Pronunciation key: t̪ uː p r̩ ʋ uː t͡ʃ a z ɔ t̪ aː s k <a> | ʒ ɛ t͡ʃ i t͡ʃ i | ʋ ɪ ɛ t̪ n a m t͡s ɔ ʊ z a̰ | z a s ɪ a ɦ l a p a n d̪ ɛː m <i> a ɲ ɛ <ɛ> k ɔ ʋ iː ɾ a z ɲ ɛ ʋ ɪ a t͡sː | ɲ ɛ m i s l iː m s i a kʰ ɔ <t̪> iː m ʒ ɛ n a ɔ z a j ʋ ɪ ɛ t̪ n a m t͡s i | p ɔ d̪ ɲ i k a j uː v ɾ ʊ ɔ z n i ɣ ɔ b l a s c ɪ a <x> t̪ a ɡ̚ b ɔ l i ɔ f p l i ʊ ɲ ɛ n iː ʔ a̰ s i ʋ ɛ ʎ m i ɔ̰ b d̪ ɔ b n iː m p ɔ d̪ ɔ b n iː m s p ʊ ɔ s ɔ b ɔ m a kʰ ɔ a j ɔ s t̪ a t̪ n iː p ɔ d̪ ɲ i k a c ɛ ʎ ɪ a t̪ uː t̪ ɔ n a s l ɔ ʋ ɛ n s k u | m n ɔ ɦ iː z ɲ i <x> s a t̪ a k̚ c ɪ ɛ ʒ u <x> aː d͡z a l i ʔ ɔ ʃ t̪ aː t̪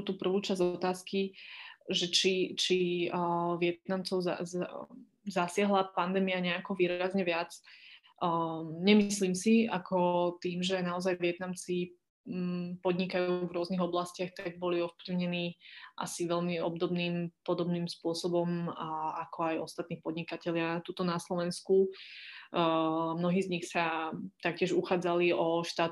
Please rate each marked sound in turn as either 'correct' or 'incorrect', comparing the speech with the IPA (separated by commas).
incorrect, correct, incorrect, correct, correct, correct, correct